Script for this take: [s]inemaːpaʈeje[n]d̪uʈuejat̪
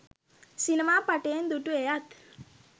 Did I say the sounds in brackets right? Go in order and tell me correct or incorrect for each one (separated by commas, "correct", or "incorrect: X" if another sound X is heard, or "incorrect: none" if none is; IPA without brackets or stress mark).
correct, correct